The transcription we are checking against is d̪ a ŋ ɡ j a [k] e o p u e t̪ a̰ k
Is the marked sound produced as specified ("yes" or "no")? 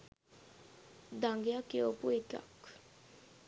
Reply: yes